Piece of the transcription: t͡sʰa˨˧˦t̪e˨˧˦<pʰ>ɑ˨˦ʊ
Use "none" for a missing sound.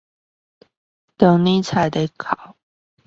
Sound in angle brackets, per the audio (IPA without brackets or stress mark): kʰ